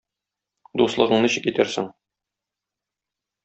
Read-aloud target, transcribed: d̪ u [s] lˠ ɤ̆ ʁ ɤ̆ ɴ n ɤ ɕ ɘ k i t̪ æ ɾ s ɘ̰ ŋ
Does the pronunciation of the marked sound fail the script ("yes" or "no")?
no